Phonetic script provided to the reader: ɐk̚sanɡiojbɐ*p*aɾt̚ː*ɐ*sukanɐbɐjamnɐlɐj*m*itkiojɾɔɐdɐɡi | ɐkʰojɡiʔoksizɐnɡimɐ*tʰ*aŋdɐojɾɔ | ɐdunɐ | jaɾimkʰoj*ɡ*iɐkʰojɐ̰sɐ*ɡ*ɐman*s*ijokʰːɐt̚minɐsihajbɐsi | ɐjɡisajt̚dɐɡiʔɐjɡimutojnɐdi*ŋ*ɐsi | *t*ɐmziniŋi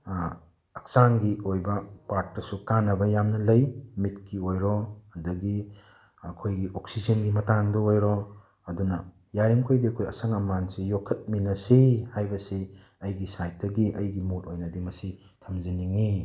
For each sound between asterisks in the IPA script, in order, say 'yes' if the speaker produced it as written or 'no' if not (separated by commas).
yes, yes, yes, no, no, no, yes, no, no